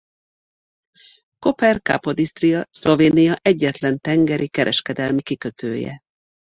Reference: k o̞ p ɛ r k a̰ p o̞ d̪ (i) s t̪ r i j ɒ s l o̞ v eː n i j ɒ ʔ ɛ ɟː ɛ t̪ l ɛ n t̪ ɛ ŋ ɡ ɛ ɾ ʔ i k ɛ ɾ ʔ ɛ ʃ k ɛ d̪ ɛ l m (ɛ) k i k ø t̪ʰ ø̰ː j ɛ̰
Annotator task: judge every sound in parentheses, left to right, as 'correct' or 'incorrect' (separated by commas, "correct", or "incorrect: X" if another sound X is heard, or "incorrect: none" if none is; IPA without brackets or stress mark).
correct, incorrect: i